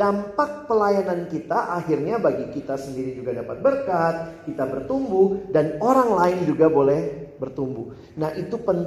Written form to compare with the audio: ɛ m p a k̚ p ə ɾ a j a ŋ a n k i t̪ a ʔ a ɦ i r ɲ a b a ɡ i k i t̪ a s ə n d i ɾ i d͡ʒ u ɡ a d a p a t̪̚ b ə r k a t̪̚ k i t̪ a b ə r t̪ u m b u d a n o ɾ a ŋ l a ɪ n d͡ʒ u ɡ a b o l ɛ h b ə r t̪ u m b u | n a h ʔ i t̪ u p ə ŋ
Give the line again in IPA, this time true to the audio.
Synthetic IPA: a m p a k̚ p ə l a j a n a n k i t̪ a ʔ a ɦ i r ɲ a b a ɡ i k i t̪ a s ə n d i ɾ i d͡ʒ u ɡ a d a p a t̪̚ b ə r k a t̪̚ k i t̪ a b ə r t̪ u m b u d a n o ɾ a ŋ l a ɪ n d͡ʒ u ɡ a b o l ɛ h b ə r t̪ u m b u | n a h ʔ i t̪ u p ə n